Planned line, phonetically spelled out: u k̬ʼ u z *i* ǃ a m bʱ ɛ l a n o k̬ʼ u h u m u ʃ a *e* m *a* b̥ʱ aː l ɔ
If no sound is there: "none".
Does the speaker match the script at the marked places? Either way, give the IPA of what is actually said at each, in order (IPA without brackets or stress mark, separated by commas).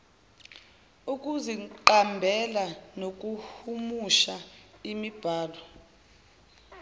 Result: i, i, i